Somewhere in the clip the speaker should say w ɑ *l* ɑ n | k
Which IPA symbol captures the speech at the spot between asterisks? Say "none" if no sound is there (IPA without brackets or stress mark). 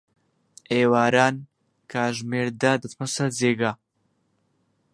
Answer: ɾ